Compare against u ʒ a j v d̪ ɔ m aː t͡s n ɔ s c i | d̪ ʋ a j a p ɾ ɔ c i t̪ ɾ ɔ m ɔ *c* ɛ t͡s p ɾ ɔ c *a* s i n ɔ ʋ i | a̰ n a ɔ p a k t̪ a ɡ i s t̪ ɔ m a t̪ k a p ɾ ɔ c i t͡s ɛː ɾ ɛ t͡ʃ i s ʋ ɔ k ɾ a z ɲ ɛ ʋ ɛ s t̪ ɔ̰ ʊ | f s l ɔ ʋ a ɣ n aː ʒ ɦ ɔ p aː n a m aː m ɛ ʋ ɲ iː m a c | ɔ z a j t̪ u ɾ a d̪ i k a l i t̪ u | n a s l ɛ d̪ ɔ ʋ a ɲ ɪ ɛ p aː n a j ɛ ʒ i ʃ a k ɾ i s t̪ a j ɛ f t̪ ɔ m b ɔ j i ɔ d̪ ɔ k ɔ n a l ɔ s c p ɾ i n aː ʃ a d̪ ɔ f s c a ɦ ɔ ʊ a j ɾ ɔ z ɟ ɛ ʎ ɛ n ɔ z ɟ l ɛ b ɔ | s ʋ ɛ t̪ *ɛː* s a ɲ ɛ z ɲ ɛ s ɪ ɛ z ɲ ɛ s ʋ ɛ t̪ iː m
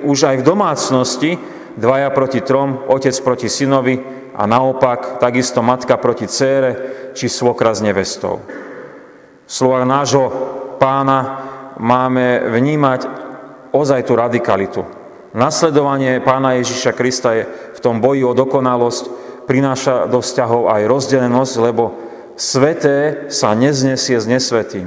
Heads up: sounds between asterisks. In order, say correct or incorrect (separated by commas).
correct, incorrect, correct